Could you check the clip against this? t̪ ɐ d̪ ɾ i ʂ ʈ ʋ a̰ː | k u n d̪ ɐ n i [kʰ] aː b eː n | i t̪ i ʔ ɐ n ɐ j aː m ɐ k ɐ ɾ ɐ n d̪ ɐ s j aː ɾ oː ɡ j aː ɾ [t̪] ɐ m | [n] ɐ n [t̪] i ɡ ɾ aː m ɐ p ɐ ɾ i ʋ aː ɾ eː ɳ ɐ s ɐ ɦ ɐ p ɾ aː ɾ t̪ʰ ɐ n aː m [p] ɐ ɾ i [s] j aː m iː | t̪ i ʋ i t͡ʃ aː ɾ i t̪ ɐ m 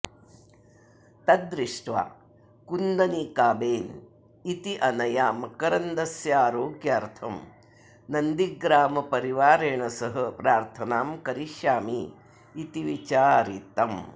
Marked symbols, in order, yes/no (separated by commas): no, no, yes, no, no, no